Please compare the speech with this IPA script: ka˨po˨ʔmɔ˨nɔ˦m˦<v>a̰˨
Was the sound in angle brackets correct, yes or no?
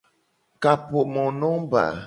no